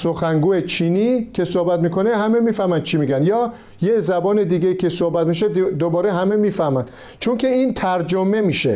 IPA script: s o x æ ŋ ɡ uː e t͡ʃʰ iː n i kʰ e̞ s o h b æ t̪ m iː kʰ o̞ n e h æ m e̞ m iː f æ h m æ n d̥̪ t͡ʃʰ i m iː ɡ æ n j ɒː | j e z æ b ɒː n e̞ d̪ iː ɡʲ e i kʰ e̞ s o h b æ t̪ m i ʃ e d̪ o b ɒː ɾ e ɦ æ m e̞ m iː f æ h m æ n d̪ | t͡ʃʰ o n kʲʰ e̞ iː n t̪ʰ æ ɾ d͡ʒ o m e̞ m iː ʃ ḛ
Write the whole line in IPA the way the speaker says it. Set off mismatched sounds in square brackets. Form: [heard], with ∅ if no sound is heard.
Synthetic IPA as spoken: s o x æ ŋ ɡ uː e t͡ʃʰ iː n i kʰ e̞ s o h b æ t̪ m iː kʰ o̞ n e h æ m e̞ m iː f æ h m æ n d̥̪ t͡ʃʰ i m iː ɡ æ n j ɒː | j e z æ b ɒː n e̞ d̪ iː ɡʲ e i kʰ e̞ s o h b æ t̪ m i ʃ e d̪ o b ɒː ɾ e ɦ æ m e̞ m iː f æ h m æ n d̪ | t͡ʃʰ o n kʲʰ e̞ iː n t̪ʰ æ ɾ d͡ʒ o m e̞ m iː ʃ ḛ